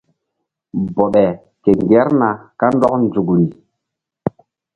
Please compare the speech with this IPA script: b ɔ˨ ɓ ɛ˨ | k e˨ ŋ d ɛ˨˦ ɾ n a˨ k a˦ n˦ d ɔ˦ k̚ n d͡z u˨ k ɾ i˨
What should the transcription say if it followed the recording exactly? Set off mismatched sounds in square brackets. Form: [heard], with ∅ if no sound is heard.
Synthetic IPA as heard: b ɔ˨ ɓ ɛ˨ | k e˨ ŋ [ɡ] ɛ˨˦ ɾ n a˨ k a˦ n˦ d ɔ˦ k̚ n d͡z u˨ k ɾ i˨

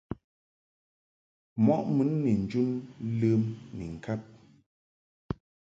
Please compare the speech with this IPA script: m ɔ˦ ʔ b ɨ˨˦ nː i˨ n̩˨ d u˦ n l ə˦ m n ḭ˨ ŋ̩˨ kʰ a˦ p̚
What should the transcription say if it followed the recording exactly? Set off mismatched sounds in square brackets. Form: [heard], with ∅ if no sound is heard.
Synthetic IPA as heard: m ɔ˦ ʔ [m] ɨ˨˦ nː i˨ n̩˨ [d͡ʒ] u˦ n l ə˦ m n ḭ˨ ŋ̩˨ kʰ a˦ p̚

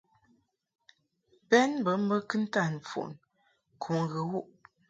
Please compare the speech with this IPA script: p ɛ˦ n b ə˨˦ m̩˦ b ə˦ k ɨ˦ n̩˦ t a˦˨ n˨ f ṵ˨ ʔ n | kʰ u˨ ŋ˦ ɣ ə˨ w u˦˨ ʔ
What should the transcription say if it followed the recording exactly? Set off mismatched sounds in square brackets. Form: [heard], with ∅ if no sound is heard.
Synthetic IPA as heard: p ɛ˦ n b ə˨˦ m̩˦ b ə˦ k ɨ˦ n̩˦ t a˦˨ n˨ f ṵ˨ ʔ n | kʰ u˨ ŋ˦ ɣ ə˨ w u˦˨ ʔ

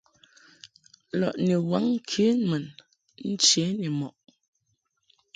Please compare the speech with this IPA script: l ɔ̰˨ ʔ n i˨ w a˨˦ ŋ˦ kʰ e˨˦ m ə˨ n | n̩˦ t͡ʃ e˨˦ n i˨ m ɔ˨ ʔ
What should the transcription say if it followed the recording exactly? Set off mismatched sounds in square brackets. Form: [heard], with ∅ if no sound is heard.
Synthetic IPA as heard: l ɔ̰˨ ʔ n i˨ w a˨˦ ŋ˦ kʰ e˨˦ m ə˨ n | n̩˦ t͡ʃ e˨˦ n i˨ m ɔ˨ ʔ

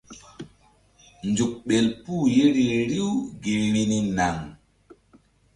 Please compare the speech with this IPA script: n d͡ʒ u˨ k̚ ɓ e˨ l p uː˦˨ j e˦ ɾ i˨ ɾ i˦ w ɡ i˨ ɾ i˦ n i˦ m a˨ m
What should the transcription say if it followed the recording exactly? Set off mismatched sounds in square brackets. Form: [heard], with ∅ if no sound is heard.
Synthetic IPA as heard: n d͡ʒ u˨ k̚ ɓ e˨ l p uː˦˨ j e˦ ɾ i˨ ɾ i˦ w ɡ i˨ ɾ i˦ n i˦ [n] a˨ [ŋ]

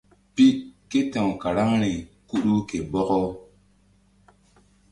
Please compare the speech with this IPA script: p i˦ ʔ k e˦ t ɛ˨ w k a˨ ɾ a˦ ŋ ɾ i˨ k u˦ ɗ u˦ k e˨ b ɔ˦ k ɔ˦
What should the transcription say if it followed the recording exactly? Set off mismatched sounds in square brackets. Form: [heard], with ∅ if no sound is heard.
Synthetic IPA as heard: p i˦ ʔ k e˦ t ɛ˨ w k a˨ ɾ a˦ ŋ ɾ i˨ k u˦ ɗ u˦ k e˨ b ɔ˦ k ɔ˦

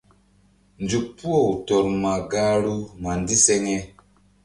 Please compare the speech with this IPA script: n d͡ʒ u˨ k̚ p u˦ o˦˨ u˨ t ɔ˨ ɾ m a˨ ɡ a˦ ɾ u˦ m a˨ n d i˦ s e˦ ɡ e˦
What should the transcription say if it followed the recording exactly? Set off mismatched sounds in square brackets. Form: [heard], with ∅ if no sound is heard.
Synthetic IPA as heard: n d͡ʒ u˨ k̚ p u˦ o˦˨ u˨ t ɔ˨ ɾ m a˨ ɡ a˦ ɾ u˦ m a˨ n d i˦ s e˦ [ŋ] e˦

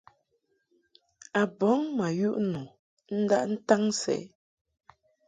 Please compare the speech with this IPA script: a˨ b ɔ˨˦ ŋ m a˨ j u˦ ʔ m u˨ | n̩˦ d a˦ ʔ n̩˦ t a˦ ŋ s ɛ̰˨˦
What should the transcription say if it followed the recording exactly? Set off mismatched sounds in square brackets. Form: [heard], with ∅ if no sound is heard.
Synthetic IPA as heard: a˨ b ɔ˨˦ ŋ m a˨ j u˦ ʔ [n] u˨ | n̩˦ d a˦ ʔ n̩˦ t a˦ ŋ s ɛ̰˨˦

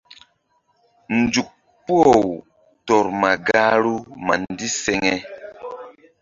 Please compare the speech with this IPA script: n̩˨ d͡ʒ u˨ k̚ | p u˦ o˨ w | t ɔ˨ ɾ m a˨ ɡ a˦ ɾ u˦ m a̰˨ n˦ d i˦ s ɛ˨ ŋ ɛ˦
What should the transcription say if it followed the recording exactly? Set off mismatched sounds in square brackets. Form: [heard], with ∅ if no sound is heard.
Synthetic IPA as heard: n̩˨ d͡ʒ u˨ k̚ | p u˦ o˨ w | t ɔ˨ ɾ m a˨ ɡ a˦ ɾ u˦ m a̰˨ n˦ d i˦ s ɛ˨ ŋ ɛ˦

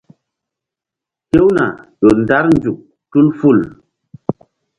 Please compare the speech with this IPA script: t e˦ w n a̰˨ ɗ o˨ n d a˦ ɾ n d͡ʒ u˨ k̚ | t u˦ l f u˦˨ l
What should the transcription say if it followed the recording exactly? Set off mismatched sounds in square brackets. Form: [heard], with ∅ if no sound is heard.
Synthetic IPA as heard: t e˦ w n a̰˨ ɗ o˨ n d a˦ ɾ n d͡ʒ u˨ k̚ | t u˦ l f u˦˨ l

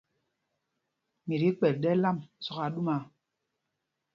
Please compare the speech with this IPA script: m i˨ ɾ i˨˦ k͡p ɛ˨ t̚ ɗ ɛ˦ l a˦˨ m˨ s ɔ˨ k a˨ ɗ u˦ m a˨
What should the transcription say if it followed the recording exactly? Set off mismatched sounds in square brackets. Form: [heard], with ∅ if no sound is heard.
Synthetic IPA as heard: m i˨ ɾ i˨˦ k͡p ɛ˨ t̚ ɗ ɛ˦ l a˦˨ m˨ s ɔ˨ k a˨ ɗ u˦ m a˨

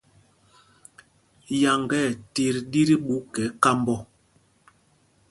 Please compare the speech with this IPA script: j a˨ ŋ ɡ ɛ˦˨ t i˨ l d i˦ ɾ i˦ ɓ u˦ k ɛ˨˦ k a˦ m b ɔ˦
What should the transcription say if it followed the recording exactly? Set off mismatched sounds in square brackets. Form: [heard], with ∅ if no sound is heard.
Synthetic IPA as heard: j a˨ ŋ ɡ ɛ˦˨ t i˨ [ɾ] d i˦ ɾ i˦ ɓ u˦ k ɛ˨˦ k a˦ m b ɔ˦

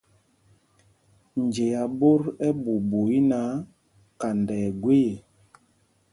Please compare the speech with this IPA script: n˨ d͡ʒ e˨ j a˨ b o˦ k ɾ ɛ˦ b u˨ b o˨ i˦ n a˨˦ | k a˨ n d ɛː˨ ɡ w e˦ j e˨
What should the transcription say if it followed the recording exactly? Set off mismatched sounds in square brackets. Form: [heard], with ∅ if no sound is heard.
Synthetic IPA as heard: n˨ d͡ʒ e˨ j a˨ b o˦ [∅] ɾ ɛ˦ b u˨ b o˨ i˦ n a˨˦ | k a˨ n d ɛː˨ ɡ w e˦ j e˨

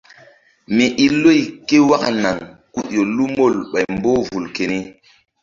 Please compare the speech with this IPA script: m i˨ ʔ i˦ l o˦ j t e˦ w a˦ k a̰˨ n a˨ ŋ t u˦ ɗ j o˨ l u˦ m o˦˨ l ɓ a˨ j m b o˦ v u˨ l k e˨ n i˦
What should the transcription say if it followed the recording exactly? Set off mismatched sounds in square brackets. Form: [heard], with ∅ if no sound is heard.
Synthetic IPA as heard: m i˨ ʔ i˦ l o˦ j [k] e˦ w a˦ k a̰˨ n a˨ ŋ [k] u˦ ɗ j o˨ l u˦ m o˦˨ l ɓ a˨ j m b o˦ v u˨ l k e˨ n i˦

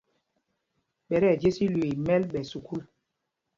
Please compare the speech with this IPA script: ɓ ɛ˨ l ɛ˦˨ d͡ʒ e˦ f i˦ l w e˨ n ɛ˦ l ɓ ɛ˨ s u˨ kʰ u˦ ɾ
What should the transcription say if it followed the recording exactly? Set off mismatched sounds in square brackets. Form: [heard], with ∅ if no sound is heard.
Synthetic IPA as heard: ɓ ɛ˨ [ɾ] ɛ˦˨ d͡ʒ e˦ [s] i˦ l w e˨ [m] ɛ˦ l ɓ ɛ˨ s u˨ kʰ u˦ [l]

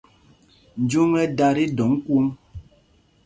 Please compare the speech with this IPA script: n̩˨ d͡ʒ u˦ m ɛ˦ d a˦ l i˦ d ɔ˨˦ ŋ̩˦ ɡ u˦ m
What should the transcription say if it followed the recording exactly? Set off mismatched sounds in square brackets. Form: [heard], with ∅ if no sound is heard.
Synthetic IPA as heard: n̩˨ d͡ʒ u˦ [ŋ] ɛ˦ d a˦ [ɾ] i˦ d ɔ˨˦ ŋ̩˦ [k] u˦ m

